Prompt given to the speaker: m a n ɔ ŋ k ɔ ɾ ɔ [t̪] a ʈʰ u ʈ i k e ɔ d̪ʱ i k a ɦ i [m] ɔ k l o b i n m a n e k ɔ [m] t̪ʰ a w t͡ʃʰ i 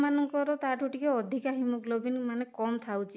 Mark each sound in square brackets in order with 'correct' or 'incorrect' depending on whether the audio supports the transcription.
correct, correct, correct

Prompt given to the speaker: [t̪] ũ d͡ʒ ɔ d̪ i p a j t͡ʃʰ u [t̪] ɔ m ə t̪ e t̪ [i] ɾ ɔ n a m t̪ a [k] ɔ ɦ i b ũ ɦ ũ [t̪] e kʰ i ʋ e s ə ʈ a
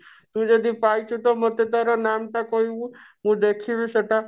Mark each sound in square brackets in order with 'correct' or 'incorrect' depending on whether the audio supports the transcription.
correct, correct, incorrect: a, correct, incorrect: d̪

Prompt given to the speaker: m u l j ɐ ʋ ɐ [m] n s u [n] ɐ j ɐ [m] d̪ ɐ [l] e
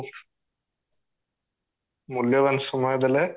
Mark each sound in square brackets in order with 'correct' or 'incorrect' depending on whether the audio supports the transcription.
incorrect: none, incorrect: m, incorrect: none, correct

